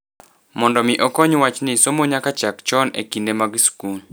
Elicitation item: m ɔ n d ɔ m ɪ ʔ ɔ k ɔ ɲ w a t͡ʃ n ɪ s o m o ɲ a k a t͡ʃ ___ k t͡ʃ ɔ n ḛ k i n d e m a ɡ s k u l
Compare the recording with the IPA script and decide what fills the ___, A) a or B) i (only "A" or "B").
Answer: A